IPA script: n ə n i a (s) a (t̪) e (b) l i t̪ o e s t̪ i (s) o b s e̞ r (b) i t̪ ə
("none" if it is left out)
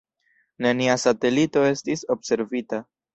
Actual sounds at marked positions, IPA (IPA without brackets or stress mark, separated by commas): s, t̪, none, s, v